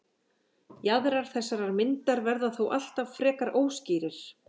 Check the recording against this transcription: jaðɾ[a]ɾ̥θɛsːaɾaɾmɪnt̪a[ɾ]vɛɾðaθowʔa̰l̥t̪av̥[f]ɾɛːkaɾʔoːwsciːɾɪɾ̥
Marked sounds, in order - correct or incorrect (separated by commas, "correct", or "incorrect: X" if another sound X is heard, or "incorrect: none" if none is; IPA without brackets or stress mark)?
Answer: correct, correct, correct